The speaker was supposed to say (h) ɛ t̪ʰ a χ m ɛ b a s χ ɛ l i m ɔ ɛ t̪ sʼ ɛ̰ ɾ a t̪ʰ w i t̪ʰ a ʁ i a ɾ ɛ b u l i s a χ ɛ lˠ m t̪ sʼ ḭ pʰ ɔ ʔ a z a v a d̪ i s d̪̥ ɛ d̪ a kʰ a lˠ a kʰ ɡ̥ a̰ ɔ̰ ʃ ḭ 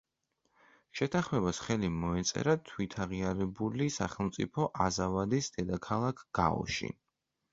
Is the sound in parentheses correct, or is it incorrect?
incorrect